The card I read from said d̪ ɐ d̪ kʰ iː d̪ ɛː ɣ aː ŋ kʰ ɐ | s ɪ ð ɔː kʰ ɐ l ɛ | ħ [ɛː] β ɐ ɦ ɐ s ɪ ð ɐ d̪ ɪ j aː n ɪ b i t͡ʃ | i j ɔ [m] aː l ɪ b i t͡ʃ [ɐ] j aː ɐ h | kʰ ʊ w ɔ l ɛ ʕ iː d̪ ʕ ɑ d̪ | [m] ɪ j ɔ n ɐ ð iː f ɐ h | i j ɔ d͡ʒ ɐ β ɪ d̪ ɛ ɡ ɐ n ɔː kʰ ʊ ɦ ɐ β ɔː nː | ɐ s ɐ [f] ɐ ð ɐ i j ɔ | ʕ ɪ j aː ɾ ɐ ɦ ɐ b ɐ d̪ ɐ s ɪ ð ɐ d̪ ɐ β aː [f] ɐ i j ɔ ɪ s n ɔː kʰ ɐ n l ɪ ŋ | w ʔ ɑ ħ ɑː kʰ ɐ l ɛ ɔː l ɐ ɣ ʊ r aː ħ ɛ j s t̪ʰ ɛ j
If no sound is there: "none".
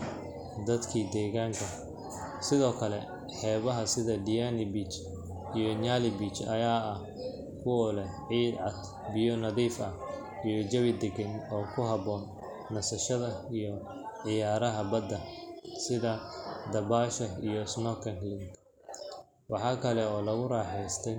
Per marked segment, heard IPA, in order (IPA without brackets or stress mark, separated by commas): ɛː, ɲ, ɐ, b, ʃ, ʃ